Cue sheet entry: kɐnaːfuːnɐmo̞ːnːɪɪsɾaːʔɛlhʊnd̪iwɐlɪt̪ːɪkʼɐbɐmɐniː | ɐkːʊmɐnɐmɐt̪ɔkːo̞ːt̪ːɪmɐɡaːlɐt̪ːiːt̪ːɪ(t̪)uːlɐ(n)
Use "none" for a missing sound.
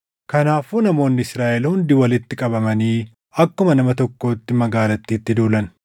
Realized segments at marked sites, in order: d̪, n

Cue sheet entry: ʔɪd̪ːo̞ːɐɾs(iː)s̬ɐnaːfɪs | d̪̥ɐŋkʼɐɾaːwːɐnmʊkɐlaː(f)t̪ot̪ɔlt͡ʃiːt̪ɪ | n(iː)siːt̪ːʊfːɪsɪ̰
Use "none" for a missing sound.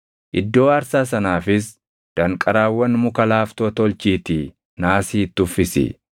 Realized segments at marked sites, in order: aː, f, aː

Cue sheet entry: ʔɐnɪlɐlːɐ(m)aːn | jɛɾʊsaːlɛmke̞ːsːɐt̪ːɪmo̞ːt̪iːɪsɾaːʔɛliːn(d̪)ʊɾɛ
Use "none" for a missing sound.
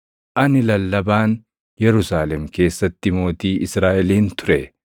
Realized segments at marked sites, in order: b, t̪

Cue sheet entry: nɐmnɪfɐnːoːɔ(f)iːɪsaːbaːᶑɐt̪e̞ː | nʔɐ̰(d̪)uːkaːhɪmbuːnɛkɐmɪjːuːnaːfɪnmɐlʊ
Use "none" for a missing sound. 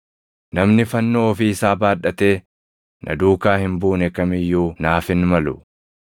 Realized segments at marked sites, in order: f, d̪

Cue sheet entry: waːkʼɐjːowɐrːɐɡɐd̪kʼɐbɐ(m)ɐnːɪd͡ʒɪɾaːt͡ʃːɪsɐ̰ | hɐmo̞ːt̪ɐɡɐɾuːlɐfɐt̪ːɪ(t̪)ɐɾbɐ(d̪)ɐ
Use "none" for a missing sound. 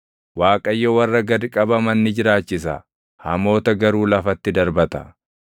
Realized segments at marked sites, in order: m, d̪, t̪

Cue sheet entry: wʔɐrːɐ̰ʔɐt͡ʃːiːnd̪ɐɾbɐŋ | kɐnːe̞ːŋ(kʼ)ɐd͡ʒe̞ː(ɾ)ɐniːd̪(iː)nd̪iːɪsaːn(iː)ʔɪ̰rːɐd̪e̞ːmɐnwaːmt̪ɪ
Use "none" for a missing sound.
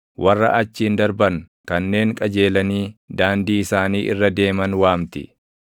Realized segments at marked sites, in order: kʼ, l, aː, iː

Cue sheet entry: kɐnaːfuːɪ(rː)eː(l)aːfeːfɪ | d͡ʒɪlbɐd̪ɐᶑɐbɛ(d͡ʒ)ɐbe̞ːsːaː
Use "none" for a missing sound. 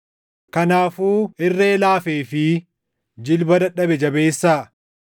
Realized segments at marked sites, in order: rː, l, d͡ʒ

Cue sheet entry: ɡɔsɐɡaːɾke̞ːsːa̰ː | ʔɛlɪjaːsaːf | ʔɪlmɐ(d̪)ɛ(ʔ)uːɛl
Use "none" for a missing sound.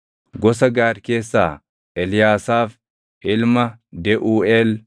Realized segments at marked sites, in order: d̪, ʔ

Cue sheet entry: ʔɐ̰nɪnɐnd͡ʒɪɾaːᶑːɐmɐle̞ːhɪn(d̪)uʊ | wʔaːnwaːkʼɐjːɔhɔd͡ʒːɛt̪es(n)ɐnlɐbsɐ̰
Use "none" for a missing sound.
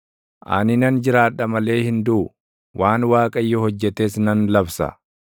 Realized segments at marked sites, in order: d̪, n

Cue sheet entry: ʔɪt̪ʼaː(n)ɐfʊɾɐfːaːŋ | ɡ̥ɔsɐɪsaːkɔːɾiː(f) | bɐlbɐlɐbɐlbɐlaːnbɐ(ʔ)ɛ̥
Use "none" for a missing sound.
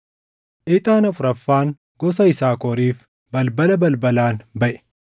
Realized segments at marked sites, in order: n, f, ʔ

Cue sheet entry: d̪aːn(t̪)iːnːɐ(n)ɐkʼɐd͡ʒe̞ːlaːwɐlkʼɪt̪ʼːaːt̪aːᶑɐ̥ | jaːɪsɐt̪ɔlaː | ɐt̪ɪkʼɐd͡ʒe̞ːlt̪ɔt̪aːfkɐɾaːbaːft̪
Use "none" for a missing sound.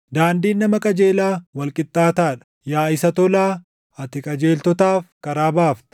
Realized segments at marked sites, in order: d̪, m

